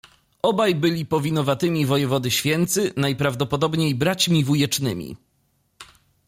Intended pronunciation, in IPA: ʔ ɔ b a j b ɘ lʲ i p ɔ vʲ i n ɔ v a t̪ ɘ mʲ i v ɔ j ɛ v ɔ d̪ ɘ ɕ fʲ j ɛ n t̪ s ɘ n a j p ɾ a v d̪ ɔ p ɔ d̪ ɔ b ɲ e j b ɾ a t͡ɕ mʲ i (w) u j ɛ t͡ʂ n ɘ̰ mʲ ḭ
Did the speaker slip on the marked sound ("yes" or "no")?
yes